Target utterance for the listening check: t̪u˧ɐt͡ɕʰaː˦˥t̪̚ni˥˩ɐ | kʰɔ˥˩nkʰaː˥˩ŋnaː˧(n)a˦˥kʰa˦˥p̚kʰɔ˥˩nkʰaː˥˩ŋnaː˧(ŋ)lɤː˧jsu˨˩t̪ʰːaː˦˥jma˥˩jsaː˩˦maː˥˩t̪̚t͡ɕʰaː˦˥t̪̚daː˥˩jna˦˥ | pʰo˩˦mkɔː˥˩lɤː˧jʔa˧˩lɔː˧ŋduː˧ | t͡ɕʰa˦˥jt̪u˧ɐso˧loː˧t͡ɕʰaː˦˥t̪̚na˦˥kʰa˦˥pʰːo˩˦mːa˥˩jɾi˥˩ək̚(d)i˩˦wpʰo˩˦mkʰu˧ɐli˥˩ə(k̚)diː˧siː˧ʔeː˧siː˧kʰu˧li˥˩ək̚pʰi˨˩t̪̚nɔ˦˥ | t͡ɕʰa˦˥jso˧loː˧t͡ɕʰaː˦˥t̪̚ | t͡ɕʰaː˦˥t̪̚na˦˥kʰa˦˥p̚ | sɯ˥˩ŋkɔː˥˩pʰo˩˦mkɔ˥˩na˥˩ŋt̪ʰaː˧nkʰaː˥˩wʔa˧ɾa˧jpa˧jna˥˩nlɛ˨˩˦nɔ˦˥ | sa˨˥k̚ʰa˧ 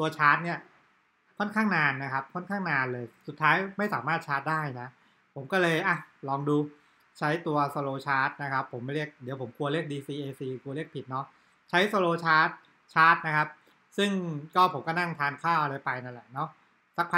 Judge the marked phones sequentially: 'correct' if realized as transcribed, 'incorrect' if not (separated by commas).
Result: incorrect, incorrect, correct, correct